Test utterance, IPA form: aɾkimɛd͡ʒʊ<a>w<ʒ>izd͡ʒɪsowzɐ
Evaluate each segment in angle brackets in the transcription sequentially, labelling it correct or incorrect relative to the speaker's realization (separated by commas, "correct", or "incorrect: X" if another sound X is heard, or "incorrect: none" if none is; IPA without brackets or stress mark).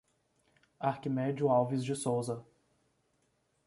correct, incorrect: v